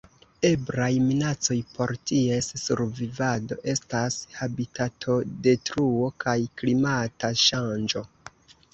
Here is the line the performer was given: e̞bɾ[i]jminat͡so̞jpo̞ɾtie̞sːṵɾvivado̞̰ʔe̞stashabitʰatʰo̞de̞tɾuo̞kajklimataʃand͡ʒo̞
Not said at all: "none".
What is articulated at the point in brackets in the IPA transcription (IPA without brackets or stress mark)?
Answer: a